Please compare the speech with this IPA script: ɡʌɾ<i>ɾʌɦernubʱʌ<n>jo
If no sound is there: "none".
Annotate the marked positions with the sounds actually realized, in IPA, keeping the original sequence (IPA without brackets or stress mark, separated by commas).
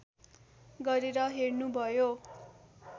e, none